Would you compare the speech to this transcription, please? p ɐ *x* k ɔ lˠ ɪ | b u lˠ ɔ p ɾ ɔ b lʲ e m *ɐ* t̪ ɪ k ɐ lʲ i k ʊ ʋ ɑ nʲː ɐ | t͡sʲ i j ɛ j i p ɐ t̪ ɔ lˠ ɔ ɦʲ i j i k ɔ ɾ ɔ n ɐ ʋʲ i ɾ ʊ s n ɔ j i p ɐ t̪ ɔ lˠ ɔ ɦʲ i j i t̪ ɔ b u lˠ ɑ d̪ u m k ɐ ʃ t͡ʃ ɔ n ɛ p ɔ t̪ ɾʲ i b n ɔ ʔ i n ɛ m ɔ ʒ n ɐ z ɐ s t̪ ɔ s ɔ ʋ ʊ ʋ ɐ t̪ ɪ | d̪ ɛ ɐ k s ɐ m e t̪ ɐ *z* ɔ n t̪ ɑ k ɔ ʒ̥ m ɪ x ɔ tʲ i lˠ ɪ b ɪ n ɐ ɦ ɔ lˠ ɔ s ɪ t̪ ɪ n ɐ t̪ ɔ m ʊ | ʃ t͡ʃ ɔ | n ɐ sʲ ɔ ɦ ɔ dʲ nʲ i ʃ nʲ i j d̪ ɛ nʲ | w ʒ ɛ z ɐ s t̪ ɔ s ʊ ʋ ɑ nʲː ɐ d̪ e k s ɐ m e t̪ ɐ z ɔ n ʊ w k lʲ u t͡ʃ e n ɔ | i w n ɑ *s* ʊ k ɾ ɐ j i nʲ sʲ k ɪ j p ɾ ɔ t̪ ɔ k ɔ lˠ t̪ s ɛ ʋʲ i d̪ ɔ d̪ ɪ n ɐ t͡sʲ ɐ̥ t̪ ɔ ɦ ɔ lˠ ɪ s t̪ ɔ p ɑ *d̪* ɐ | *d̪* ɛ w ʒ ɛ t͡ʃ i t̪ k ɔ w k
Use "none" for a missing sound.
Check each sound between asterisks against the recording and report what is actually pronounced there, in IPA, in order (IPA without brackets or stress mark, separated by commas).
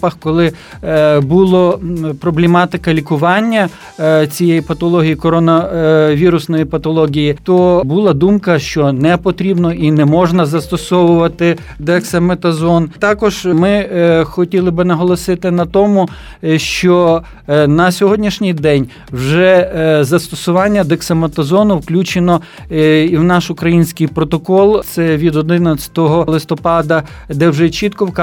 x, ɑ, z, ʃ, d̪, d̪